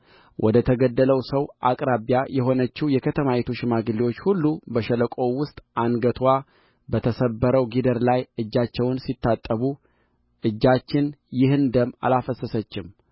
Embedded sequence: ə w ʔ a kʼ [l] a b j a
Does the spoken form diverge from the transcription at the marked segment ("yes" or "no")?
yes